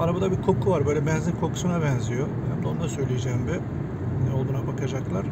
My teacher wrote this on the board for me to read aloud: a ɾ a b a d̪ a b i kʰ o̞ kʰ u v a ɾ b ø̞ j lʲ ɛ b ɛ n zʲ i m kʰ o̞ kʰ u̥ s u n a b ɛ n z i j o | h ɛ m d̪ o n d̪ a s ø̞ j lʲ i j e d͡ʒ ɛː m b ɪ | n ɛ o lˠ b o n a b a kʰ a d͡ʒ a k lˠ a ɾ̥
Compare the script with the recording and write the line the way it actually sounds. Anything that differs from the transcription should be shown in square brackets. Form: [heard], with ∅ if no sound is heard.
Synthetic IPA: a ɾ a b a d̪ a b i kʰ o̞ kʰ u v a ɾ b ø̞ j lʲ ɛ b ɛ n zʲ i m kʰ o̞ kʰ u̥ s u n a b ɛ n z i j o | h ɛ m d̪ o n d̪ a s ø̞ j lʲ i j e d͡ʒ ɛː m b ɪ | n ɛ o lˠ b [u] n a b a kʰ a d͡ʒ a k lˠ a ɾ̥